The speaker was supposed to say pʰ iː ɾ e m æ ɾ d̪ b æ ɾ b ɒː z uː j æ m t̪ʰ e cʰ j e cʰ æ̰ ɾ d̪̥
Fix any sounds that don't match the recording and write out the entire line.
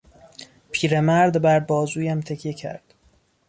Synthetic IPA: pʰ iː ɾ e m æ ɾ d̪ b æ ɾ b ɒː z uː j æ m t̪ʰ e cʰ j e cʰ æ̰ ɾ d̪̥

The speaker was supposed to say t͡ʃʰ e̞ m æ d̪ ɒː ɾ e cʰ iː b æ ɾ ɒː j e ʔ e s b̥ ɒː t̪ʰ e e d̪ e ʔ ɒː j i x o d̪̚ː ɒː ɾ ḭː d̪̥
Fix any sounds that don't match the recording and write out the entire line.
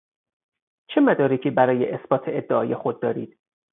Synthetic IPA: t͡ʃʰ e̞ m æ d̪ ɒː ɾ e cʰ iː b æ ɾ ɒː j e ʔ e s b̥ ɒː t̪ʰ e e d̪ː e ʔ ɒː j e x o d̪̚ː ɒː ɾ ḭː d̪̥

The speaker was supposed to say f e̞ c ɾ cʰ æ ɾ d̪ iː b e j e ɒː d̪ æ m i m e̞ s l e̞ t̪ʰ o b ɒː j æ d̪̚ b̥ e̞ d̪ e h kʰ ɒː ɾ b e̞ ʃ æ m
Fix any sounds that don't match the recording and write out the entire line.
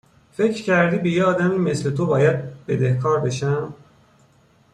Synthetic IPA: f e̞ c ɾ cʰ æ ɾ d̪ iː b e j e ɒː d̪ æ m i m e̞ s l e̞ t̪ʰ o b ɒː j æ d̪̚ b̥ e̞ d̪ e h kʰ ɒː ɾ b e̞ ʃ æ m

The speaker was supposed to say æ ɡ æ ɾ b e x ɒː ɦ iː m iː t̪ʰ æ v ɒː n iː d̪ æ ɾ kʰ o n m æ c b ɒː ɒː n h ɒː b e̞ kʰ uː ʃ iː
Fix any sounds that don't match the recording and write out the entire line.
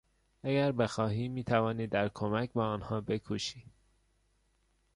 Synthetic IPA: æ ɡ æ ɾ b e x ɒː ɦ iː m iː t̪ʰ æ v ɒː n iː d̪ æ ɾ kʰ o m æ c b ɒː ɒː n h ɒː b e̞ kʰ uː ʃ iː

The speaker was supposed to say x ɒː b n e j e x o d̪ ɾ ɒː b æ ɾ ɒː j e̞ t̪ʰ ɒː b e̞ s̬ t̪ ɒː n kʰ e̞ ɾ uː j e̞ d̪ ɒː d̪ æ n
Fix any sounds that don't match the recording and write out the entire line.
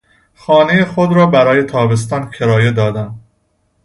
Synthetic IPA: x ɒː n e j e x o d̪ ɾ ɒː b æ ɾ ɒː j e̞ t̪ʰ ɒː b e̞ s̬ t̪ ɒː n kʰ e̞ ɾ ɒː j e̞ d̪ ɒː d̪ æ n

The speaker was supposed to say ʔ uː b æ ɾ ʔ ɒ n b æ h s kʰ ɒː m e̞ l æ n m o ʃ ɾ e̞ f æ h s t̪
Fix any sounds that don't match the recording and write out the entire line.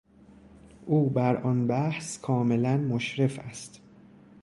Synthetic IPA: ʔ uː b æ ɾ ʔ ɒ n b æ h s kʰ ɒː m e̞ l æ n m o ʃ ɾ e̞ f æ s t̪

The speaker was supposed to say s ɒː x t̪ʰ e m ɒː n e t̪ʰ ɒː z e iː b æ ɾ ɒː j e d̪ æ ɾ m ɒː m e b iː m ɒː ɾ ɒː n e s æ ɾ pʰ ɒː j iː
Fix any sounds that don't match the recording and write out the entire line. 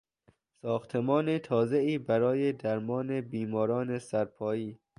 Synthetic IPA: s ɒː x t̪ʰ e m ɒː n e t̪ʰ ɒː z e iː b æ ɾ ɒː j e d̪ æ ɾ m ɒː n e b iː m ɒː ɾ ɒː n e s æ ɾ pʰ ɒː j iː

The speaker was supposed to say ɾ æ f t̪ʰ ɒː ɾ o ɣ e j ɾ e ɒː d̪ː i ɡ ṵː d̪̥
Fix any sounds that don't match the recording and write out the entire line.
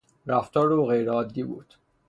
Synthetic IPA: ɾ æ f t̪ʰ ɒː ɾ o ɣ e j ɾ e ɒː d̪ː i b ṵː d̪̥

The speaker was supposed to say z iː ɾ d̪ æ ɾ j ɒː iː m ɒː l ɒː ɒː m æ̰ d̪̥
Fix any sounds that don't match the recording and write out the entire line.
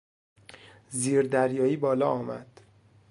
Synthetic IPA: z iː ɾ d̪ æ ɾ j ɒː iː b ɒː l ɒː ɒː m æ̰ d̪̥

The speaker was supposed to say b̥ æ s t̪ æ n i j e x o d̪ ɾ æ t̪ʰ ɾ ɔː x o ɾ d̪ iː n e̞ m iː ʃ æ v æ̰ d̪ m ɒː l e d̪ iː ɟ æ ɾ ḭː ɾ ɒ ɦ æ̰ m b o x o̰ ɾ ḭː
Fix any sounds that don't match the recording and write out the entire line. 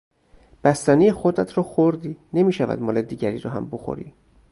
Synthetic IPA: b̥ æ s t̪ æ n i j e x o d̪ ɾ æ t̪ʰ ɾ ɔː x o ɾ d̪ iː n e̞ m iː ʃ æ v æ̰ d̪ m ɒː l e d̪ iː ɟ æ ɾ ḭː ɾ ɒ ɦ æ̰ m b o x o̰ ɾ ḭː

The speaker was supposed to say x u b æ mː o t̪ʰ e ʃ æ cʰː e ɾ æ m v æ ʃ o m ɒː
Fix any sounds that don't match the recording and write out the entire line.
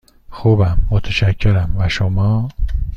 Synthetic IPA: x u b æ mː o t̪ʰ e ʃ æ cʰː e ɾ æ m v æ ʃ o m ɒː

